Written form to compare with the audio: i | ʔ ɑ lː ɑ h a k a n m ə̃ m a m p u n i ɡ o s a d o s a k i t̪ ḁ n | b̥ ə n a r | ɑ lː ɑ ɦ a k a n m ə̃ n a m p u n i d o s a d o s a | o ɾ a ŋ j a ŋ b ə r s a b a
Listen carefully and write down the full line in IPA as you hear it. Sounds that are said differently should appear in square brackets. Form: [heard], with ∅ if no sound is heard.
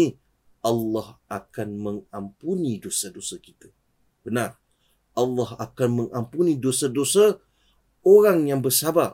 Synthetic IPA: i | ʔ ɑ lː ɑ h a k a n m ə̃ [ŋ] a m p u n i [d] o s a d o s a k i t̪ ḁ [∅] | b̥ ə n a r | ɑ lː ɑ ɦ a k a n m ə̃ [ŋ] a m p u n i d o s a d o s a | o ɾ a ŋ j a ŋ b ə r s a b a